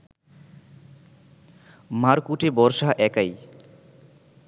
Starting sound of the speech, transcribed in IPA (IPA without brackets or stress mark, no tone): m